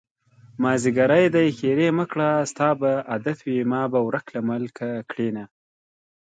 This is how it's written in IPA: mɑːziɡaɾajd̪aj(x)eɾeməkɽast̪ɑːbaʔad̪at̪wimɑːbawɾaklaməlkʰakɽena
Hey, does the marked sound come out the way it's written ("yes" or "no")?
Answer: yes